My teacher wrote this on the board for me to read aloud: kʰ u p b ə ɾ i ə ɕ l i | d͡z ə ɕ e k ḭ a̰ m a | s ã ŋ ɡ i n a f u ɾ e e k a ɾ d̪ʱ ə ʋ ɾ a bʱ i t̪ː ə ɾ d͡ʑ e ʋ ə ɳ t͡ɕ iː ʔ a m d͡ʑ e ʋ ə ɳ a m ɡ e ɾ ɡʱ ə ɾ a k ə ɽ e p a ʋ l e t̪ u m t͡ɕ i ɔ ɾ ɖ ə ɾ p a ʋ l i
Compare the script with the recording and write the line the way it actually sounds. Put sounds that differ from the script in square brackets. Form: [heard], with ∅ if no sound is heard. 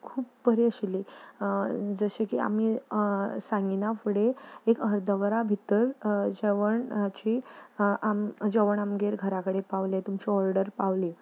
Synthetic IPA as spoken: kʰ [uː] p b ə ɾ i ə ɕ l i | d͡z ə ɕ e k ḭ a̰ m [i] | s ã ŋ ɡ i n a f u [ɽ] e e k [ə] ɾ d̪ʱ ə ʋ ɾ a bʱ i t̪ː ə ɾ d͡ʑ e ʋ ə ɳ t͡ɕ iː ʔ a m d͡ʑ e ʋ ə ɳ a m ɡ e ɾ ɡʱ ə ɾ a k ə ɽ e p a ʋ l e t̪ u m t͡ɕ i ɔ ɾ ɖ ə ɾ p a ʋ l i